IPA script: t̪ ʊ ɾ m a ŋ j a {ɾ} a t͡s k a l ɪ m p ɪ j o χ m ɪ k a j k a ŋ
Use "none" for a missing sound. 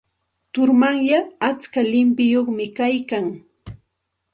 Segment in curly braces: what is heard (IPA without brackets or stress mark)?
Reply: none